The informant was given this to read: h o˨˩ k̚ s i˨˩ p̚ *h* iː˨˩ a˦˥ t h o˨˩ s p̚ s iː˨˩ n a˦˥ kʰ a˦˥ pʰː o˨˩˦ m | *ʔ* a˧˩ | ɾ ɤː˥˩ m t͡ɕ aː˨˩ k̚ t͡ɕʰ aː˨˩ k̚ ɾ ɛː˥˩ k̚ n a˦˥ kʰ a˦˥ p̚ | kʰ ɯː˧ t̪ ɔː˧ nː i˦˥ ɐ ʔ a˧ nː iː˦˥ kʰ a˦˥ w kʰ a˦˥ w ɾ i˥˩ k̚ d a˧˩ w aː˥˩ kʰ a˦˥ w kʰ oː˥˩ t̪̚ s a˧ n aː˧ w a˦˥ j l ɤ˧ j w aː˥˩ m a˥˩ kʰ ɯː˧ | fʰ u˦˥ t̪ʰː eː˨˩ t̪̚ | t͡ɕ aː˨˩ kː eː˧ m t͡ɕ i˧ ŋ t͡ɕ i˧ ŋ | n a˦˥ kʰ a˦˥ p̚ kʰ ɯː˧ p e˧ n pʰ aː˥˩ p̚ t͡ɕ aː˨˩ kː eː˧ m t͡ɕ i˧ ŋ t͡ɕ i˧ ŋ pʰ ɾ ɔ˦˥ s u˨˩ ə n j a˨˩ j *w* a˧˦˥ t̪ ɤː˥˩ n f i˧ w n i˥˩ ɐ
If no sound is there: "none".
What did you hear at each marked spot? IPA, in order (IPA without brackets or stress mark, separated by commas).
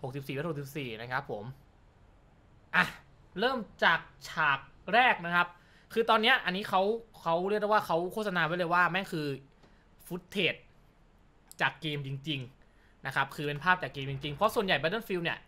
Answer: s, ʔ, b